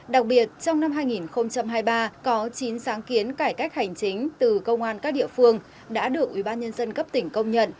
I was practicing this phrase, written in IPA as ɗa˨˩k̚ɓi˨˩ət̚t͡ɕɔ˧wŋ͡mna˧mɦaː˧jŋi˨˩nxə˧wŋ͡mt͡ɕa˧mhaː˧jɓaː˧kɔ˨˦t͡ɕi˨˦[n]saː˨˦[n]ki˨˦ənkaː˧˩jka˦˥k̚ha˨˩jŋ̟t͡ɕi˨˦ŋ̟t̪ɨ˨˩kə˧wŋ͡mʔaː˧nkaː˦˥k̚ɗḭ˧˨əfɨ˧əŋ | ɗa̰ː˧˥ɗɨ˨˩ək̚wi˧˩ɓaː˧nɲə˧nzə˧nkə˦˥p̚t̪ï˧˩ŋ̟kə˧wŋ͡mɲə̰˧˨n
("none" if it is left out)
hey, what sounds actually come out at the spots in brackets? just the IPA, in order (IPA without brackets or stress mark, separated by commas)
n, ŋ